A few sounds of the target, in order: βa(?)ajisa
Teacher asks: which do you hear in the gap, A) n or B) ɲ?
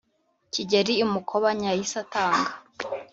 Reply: B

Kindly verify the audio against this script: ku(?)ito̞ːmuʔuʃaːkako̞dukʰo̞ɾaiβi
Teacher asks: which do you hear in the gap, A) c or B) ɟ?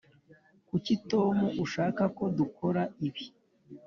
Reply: A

